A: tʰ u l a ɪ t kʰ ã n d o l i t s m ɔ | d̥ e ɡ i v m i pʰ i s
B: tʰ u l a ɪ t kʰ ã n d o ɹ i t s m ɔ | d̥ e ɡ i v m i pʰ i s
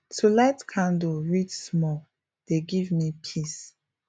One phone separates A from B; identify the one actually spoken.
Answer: B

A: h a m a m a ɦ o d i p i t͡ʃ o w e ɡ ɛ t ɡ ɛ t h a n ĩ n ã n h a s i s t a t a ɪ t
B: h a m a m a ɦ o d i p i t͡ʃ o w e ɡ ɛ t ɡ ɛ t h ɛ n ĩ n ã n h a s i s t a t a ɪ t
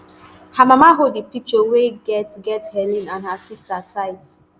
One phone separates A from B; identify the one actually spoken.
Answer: B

